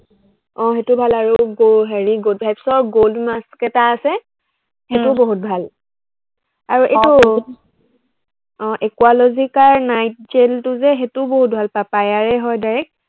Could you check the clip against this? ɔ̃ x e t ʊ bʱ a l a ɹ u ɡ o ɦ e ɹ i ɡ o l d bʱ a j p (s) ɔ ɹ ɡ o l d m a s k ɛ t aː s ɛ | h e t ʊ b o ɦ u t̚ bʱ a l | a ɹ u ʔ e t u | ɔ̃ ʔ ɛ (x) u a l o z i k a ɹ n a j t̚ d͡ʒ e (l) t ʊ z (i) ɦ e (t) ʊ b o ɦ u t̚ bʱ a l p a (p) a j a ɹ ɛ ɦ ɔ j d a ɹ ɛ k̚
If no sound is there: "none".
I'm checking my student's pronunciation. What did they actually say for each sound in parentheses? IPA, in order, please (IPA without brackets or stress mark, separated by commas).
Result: s, k, l, ɛ, t, p